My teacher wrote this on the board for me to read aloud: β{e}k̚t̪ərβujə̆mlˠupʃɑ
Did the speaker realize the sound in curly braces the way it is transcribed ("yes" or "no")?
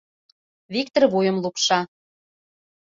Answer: no